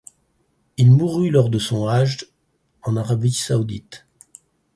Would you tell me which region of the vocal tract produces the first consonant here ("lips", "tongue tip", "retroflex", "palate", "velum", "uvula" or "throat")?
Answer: tongue tip